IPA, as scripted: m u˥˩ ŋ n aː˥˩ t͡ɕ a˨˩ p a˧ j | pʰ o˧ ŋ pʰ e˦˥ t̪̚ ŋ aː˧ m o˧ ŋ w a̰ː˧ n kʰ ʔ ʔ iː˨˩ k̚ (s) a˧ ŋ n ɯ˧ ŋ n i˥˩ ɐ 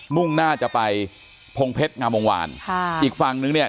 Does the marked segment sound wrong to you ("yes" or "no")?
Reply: yes